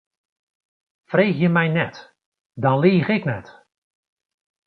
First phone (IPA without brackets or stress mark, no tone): f